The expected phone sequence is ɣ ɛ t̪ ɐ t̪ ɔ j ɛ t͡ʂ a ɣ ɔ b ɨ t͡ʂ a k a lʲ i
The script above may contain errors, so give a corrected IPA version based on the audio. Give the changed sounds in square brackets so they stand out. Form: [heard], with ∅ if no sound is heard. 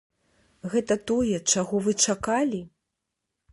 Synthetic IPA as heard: ɣ ɛ t̪ ɐ t̪ ɔ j ɛ t͡ʂ a ɣ ɔ [v] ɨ t͡ʂ a k a lʲ i